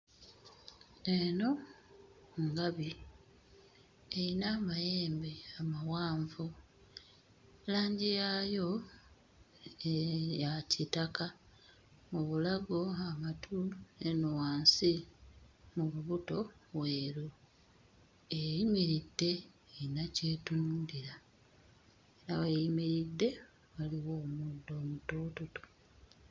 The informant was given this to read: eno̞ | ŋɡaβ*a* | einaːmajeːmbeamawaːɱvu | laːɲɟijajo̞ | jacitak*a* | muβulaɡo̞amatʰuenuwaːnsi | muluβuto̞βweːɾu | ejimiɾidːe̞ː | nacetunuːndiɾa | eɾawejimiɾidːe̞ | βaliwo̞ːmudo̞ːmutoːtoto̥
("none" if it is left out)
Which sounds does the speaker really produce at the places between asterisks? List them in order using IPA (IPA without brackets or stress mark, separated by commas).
i, a